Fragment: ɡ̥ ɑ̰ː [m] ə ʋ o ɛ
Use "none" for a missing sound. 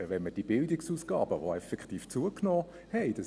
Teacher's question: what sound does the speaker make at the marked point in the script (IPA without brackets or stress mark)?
b